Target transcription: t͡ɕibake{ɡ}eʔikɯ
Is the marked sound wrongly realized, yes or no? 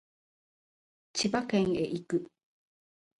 yes